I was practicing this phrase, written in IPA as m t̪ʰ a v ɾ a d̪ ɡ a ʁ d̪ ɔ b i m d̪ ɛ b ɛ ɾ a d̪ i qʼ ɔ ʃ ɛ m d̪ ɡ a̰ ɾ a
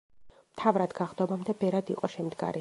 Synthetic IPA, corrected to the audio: m t̪ʰ a v ɾ a d̪ ɡ a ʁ d̪ ɔ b a m d̪ ɛ b ɛ ɾ a d̪ i qʼ ɔ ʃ ɛ m d̪ ɡ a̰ ɾ i